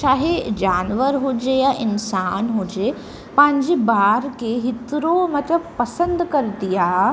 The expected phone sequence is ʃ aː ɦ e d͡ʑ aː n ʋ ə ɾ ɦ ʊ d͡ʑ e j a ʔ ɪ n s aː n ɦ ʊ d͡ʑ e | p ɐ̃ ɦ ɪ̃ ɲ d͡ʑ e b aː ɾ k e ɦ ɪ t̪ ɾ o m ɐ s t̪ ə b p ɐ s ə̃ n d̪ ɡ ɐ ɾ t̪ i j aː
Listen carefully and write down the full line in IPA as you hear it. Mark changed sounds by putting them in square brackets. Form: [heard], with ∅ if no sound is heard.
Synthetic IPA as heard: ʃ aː ɦ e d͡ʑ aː n ʋ ə ɾ ɦ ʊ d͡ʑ e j a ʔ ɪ n s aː n ɦ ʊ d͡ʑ e | p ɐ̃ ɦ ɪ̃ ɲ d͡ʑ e b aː ɾ k e ɦ ɪ t̪ ɾ o m ɐ [∅] t̪ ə b p ɐ s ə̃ n d̪ [k] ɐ ɾ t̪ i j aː